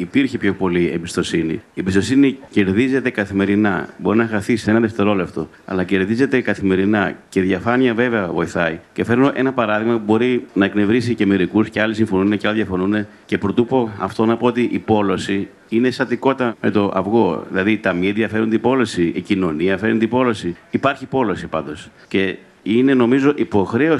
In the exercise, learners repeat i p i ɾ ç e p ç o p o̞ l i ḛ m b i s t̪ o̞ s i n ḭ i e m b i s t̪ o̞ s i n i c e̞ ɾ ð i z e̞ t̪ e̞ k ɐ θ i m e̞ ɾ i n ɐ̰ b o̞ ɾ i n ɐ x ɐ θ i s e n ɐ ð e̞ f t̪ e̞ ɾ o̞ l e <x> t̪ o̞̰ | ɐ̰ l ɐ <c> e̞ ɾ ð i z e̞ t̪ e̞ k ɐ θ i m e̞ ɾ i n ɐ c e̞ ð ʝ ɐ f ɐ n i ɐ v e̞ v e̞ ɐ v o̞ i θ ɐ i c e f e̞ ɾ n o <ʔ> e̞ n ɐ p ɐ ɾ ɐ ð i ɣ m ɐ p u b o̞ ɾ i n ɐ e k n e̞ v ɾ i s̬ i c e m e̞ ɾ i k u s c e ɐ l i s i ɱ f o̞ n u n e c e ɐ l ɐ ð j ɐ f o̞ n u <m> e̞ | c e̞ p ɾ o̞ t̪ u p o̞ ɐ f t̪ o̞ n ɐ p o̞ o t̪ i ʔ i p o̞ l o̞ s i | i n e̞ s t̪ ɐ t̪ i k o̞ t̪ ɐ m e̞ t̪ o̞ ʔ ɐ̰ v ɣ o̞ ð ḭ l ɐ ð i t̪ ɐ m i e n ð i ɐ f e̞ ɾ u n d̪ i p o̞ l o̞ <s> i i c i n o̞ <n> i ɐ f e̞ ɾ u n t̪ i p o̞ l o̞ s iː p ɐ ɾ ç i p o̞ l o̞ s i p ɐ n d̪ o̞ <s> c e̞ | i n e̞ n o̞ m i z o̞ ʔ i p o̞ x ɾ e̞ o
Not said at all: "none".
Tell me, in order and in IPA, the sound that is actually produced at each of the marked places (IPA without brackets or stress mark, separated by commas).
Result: f, c, ʔ, n, s, n, s